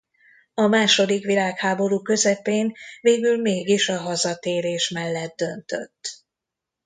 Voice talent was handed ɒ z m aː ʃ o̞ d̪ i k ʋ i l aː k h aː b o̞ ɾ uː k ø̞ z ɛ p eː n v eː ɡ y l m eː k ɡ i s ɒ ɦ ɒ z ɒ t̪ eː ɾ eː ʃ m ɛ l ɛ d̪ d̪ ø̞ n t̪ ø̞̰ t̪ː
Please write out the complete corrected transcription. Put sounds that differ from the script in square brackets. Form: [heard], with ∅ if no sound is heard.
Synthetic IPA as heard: ɒ [∅] m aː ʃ o̞ d̪ i k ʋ i l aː k h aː b o̞ ɾ uː k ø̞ z ɛ p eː n v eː ɡ y l m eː [∅] ɡ i [ʃ] ɒ ɦ ɒ z ɒ t̪ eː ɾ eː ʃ m ɛ [lː] ɛ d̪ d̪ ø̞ n t̪ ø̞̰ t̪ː